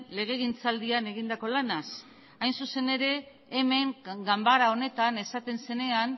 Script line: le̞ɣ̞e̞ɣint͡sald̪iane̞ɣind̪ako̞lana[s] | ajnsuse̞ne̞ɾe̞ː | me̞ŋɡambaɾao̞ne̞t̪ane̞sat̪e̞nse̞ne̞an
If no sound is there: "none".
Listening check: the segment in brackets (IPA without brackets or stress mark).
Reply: s